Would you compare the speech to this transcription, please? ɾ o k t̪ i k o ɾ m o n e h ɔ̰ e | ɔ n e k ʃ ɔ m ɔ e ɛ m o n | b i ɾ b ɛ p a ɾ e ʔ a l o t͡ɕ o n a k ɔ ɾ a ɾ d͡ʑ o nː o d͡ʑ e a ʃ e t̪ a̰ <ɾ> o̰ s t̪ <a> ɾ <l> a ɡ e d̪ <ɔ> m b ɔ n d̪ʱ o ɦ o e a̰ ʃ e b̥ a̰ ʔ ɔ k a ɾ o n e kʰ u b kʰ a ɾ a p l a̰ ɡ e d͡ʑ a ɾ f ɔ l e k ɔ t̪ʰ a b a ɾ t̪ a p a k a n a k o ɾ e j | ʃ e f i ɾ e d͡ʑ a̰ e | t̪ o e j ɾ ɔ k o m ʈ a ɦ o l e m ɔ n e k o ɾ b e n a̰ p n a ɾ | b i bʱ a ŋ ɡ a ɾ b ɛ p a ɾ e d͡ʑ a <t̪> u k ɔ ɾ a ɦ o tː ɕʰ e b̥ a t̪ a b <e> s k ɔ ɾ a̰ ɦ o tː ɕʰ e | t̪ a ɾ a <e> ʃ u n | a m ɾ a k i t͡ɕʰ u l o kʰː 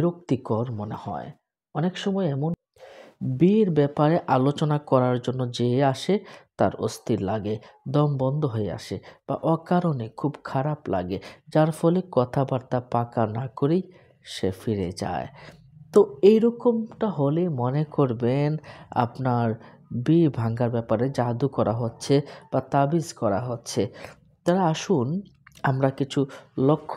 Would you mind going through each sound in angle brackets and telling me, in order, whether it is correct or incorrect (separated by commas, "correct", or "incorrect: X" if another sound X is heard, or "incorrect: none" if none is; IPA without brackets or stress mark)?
correct, incorrect: i, correct, correct, incorrect: d̪, incorrect: i, incorrect: a